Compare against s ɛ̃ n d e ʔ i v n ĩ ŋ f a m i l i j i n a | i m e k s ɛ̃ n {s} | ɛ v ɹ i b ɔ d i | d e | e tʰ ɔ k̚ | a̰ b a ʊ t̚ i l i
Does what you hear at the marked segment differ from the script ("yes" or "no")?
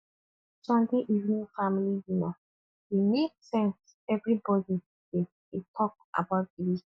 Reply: no